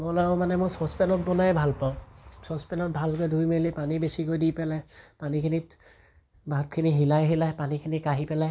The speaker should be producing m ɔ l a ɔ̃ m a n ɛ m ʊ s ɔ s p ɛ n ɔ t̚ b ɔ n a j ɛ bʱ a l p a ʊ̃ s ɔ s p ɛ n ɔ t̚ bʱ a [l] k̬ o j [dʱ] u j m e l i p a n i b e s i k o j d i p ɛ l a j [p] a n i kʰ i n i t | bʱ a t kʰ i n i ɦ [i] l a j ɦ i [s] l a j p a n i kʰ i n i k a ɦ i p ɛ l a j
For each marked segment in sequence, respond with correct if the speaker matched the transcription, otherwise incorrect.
correct, correct, correct, correct, incorrect: none

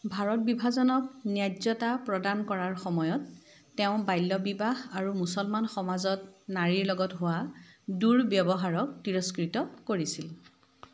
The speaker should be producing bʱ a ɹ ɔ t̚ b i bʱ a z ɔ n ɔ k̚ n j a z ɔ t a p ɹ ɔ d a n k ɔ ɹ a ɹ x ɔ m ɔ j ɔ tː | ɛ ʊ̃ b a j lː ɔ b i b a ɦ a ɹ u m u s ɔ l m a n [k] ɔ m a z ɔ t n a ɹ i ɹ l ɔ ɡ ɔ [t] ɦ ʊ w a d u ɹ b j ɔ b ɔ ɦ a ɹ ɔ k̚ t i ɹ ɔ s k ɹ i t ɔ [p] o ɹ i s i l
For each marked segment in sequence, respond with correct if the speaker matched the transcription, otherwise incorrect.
incorrect: x, correct, incorrect: k

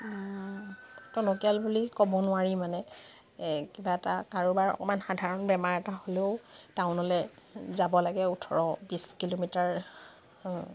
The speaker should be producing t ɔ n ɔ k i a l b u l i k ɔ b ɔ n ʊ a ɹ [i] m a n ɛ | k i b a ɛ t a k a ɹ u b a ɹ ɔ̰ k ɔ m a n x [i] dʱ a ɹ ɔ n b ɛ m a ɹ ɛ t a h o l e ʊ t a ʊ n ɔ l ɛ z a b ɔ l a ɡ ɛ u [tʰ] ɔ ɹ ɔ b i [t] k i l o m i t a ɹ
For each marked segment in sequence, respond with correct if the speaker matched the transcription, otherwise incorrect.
correct, incorrect: a, correct, incorrect: s

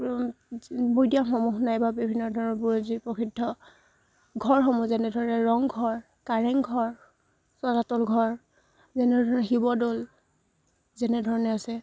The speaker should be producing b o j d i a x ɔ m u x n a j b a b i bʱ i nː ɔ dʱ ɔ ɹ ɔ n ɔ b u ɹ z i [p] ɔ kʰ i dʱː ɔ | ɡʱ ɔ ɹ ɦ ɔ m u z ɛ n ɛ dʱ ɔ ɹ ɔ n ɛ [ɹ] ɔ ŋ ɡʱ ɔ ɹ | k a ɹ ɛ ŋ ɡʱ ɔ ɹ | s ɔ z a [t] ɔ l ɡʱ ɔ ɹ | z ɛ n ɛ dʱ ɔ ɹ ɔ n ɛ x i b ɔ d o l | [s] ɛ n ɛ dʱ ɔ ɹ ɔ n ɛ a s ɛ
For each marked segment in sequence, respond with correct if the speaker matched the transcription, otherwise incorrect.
correct, correct, correct, incorrect: z

